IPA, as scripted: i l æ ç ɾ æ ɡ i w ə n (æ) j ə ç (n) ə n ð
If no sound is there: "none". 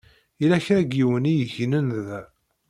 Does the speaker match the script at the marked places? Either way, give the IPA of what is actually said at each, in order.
i, n

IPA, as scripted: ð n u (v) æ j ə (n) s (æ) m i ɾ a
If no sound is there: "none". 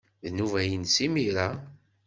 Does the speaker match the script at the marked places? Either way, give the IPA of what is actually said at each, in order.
v, n, i

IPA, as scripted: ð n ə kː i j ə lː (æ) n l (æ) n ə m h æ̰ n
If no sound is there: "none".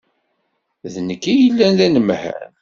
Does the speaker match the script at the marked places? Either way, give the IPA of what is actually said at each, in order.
æ, æ

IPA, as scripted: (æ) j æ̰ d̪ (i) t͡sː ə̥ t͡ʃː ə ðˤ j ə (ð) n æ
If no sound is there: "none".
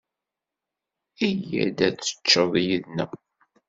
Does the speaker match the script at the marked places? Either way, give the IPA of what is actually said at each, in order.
i, æ, ð

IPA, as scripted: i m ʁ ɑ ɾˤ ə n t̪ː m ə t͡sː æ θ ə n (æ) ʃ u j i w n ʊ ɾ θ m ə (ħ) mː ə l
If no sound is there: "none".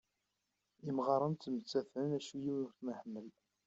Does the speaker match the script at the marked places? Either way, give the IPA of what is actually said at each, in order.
æ, ħ

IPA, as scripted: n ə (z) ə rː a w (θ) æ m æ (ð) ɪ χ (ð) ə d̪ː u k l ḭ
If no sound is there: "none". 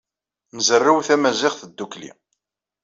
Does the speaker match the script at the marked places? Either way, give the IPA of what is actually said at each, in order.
z, θ, z, θ

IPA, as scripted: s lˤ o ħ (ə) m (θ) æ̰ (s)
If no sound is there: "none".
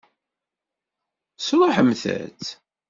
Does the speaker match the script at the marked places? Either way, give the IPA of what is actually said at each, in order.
ə, θ, t͡s

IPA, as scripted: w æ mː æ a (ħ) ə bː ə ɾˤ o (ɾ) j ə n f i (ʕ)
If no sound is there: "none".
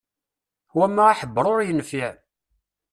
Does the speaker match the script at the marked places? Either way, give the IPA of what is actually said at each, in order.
ħ, ɾ, ʕ

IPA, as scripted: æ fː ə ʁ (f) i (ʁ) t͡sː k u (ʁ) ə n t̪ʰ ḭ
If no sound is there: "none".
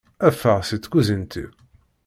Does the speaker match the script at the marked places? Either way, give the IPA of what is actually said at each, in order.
s, none, z

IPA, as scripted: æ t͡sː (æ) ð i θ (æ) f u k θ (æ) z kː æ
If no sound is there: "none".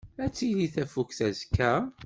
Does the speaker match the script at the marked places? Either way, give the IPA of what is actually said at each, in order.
i, æ, æ

